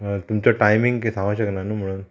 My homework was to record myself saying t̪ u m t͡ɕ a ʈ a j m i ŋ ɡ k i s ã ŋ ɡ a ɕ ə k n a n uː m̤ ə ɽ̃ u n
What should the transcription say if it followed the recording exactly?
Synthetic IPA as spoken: t̪ u m t͡ɕ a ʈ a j m i ŋ ɡ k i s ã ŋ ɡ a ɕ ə k n a n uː m̤ ə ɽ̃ uː n